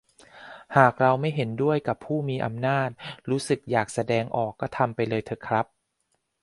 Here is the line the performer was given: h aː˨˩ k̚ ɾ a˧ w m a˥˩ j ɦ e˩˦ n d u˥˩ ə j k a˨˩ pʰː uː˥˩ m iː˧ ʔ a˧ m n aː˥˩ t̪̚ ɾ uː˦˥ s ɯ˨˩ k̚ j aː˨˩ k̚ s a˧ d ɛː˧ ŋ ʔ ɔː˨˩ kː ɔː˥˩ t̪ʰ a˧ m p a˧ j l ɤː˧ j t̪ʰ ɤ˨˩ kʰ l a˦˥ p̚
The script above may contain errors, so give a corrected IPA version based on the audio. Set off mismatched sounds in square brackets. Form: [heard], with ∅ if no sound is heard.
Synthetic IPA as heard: h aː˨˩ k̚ ɾ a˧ w m a˥˩ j ɦ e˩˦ n d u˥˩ ə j k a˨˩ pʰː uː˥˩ m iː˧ ʔ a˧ m n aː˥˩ t̪̚ ɾ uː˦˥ s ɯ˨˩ k̚ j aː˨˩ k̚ s a˧ d ɛː˧ ŋ ʔ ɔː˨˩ kː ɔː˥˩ t̪ʰ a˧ m p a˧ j l ɤː˧ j t̪ʰ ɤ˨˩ kʰ [ɾ] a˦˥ p̚